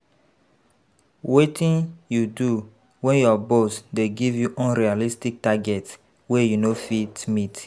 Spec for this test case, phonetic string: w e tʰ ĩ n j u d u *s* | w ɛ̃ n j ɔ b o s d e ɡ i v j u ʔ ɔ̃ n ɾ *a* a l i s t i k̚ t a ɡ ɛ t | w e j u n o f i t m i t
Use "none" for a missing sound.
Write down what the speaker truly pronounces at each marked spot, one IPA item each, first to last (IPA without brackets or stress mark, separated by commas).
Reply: none, i